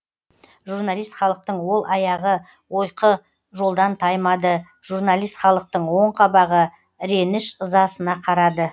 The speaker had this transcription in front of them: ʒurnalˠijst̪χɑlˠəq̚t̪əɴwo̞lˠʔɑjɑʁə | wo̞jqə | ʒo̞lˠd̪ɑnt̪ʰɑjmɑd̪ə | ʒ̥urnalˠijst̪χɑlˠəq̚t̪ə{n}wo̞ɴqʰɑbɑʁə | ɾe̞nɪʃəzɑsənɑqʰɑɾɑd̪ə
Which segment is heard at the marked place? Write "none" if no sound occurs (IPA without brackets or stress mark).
ɴ